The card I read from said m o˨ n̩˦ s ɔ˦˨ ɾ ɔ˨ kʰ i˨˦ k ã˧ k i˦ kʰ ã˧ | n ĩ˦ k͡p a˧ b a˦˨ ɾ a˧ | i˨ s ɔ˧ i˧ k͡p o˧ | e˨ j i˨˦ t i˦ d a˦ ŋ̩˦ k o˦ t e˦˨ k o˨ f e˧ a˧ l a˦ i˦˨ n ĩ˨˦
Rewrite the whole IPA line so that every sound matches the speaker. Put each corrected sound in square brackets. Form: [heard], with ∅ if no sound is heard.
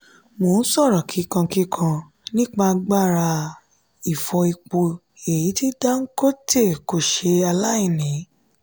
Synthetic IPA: m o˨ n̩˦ s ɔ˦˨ ɾ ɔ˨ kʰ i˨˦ k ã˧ k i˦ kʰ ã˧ | n ĩ˦ k͡p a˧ [ɡ͡b] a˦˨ ɾ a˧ | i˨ [f] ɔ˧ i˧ k͡p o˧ | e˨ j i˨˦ t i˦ d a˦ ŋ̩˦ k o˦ t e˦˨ k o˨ [ʃ] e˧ a˧ l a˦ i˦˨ n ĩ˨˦